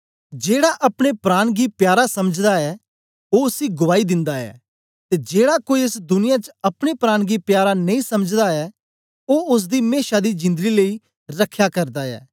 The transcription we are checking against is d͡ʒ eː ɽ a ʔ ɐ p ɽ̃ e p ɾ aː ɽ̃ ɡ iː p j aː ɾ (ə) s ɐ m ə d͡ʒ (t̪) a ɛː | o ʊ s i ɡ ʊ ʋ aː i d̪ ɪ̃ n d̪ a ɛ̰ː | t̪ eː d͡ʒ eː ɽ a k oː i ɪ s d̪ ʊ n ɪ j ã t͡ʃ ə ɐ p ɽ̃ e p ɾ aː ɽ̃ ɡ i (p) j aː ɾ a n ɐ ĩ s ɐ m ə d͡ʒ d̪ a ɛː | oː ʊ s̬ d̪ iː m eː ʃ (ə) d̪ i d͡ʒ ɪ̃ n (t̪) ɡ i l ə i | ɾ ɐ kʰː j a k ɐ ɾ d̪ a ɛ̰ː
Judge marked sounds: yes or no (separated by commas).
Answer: no, no, yes, no, no